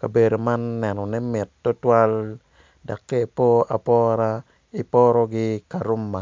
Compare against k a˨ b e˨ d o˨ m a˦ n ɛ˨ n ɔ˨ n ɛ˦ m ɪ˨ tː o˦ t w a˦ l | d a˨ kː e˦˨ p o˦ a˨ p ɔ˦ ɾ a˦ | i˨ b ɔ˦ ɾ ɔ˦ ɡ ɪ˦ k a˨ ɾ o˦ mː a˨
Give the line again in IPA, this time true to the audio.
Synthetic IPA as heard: k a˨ b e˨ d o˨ m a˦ nː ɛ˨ n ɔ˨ n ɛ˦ m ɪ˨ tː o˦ t w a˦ l | d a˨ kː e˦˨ p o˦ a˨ p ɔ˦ ɾ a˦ | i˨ p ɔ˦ ɾ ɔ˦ ɡ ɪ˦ k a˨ ɾ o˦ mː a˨